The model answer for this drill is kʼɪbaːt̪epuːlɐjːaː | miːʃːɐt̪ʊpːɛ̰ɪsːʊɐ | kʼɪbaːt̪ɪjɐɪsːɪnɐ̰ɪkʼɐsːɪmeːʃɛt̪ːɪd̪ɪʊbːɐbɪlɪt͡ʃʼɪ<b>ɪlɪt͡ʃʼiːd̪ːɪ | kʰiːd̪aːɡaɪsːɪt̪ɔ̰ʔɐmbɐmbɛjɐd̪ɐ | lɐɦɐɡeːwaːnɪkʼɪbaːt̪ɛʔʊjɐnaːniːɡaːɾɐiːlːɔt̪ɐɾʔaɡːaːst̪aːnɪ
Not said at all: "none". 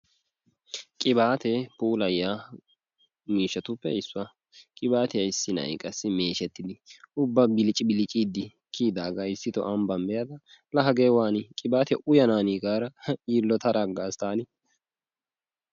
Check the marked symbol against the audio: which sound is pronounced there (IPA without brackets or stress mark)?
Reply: b